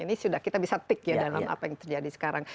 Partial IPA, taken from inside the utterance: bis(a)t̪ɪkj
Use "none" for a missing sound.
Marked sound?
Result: a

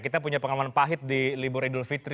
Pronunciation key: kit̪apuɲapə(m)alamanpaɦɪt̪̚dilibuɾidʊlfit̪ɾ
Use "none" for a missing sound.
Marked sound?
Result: ŋ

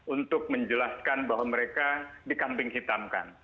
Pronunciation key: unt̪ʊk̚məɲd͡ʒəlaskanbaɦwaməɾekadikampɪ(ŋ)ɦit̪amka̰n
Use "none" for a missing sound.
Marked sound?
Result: ŋ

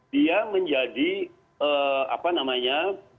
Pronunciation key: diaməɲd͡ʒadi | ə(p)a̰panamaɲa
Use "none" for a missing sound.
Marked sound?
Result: none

